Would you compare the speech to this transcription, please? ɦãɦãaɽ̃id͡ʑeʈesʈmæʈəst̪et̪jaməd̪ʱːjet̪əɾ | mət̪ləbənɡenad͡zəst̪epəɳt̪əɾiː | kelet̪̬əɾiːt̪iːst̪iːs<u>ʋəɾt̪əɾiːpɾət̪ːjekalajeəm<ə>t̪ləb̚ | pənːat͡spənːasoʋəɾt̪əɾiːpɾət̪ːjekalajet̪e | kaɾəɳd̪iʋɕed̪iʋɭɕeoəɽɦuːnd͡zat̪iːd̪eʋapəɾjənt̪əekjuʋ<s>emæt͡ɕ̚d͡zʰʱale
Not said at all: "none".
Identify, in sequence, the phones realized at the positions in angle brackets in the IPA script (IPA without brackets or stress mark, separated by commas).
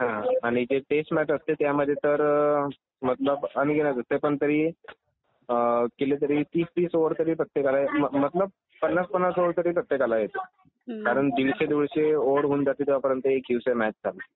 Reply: o, ə, s